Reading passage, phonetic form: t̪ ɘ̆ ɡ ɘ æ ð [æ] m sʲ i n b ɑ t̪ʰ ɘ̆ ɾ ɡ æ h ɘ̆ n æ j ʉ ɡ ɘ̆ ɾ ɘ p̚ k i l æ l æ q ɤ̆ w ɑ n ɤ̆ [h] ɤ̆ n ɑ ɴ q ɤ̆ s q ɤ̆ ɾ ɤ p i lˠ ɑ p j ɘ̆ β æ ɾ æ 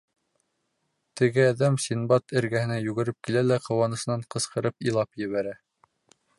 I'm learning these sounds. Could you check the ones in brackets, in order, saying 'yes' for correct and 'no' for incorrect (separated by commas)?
yes, no